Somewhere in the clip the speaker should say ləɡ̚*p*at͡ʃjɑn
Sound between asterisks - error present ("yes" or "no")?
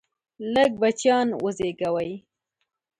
yes